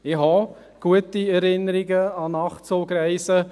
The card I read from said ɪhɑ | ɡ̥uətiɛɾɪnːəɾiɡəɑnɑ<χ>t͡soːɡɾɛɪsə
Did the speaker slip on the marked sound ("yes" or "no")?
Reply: no